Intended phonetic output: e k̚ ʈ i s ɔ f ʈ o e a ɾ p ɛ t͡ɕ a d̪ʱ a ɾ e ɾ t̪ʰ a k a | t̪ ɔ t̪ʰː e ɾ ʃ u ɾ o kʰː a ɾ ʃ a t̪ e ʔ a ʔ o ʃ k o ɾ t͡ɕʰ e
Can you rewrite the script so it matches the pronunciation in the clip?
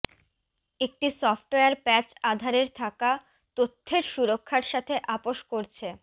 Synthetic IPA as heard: e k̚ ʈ i s ɔ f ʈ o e a ɾ p ɛ t͡ɕ a d̪ʱ a ɾ e ɾ t̪ʰ a k a | t̪ o t̪ʰː e ɾ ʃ u ɾ o kʰː a ɾ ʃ a t̪ʰ e ʔ a p o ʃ k o ɾ t͡ɕʰ e